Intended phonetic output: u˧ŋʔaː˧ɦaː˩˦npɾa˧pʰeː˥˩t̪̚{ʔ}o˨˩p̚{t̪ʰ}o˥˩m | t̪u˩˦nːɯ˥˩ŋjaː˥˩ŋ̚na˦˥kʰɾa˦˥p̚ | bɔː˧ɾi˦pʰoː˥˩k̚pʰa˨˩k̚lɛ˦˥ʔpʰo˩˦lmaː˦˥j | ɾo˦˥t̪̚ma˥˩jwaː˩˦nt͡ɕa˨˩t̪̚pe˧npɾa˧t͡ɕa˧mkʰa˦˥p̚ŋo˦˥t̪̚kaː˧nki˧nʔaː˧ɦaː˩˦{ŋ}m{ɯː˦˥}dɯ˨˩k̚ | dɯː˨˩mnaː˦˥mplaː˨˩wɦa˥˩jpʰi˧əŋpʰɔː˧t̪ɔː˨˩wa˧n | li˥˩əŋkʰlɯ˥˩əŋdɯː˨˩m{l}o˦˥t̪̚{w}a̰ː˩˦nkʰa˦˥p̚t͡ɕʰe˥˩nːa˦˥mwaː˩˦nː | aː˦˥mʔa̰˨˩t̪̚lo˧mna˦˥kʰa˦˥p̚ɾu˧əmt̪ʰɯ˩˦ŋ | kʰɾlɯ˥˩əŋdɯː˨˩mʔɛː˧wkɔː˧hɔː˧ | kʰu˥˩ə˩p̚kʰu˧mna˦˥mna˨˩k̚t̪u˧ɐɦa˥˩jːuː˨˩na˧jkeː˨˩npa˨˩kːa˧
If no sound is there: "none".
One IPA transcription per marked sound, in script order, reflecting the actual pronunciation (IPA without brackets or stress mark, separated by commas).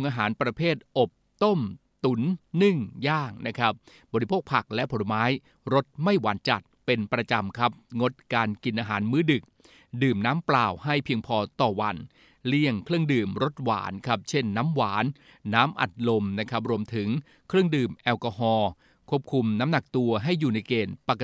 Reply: ʔ, t̪, n, ɯː˦˥, ɾ, w